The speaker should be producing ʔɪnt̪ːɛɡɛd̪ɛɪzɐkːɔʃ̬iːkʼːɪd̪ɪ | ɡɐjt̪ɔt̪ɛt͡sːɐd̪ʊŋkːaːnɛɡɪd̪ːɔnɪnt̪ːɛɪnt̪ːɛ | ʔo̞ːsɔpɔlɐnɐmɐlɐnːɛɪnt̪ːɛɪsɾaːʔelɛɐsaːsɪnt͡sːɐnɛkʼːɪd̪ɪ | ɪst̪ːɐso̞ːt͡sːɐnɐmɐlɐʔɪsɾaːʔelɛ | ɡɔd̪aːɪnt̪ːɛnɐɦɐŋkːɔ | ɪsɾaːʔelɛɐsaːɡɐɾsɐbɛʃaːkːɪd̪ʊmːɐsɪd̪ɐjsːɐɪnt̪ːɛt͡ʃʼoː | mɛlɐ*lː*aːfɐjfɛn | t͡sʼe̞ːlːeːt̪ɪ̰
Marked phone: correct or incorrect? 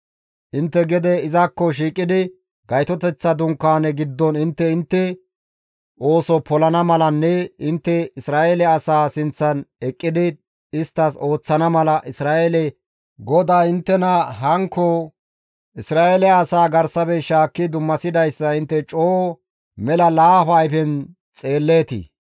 incorrect